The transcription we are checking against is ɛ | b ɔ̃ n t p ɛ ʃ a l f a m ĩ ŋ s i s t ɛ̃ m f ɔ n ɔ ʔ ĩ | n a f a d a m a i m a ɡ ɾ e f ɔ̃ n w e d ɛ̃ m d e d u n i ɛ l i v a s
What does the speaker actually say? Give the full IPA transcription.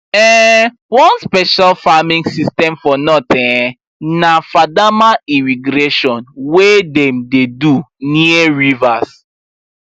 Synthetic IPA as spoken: ɛ | w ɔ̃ n s p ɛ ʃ a l f a m ĩ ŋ s i s t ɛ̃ m f ɔ n ɔ t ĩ | n a f a d a m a i m i ɡ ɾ e ʃ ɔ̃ n w e d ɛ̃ m d e d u n i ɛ ɹ i v a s

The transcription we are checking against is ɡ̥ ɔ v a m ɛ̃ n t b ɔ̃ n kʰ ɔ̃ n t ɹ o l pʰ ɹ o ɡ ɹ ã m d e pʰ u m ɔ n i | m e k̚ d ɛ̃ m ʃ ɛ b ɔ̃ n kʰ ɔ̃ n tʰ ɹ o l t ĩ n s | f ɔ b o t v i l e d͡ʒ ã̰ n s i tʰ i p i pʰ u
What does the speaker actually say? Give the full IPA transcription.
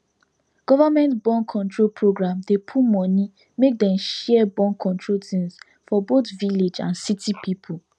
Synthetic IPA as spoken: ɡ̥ ɔ v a m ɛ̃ n t b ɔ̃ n kʰ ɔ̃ n t ɹ o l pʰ ɹ o ɡ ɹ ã m d e pʰ u m ɔ n i | m e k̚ d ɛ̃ m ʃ ɛ b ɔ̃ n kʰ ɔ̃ n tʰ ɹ o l t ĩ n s | f ɔ b o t v i l e d͡ʒ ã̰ n s i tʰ i p i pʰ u

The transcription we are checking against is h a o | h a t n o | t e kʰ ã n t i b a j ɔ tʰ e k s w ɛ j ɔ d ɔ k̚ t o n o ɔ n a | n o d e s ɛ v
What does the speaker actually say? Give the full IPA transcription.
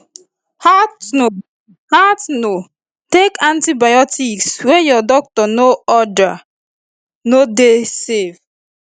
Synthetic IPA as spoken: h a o | h a t n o | t e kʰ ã n t i b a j ɔ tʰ i k s w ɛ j ɔ d ɔ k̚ t ɔ n o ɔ d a | n o d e s e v

